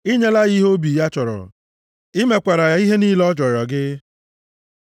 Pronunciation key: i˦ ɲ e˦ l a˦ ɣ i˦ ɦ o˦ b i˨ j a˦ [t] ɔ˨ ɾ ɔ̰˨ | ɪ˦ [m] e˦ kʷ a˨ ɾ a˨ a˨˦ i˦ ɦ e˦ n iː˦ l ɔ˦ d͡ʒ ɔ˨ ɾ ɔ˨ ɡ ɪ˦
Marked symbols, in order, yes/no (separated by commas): no, yes